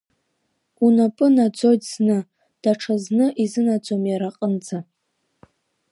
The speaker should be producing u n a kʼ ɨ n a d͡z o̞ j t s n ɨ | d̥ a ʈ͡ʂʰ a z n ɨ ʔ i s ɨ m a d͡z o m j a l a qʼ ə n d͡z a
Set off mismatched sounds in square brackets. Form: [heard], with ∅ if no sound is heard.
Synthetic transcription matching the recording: u n a [pʼ] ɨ n a d͡z o̞ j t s n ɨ | d̥ a ʈ͡ʂʰ a z n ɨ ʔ i [z] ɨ [n] a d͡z o m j a [ɾ] a qʼ ə n d͡z a